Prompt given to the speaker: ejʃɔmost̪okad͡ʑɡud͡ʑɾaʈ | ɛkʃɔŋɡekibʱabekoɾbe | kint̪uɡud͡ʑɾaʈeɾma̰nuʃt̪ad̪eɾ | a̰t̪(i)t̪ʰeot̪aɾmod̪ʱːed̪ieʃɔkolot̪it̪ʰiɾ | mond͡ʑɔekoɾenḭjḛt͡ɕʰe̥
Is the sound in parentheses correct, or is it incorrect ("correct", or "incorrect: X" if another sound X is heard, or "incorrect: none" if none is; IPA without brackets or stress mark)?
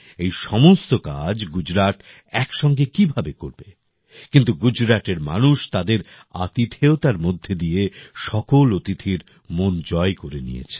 correct